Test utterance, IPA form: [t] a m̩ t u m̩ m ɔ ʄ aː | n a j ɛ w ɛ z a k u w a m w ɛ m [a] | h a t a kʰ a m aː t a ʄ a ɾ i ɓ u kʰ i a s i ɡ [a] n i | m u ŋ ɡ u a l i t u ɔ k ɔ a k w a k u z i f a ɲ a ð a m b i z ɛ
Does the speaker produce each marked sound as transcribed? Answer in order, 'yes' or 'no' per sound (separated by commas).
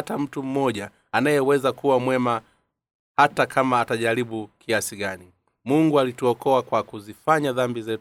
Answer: yes, yes, yes